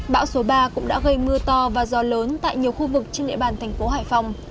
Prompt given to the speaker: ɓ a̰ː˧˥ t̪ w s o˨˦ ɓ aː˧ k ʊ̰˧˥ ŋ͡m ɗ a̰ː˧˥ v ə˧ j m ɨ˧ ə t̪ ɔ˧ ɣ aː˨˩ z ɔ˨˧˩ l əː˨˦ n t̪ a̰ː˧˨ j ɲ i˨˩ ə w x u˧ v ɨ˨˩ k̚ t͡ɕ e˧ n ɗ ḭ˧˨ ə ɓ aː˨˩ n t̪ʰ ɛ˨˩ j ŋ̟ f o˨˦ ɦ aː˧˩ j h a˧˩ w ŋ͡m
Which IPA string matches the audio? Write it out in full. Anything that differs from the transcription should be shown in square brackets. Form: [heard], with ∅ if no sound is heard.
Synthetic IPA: ɓ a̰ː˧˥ [∅] w s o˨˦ ɓ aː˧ k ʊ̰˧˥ ŋ͡m ɗ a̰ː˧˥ [ɣ] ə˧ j m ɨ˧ ə t̪ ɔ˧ [v] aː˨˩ z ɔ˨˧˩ l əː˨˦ n t̪ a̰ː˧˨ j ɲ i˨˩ ə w x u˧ v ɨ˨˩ k̚ t͡ɕ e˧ n ɗ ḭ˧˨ ə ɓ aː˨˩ n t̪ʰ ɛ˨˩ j ŋ̟ f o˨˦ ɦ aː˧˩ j [f] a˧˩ w ŋ͡m